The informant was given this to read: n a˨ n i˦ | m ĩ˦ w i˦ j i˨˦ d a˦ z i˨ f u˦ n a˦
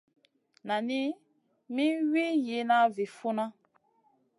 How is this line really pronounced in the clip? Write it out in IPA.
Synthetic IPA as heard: n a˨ n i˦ | m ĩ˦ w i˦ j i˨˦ n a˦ v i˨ f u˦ n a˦